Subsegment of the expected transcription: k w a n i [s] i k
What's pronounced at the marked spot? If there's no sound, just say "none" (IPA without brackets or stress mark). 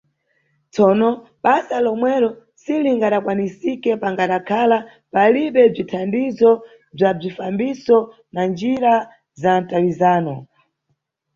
s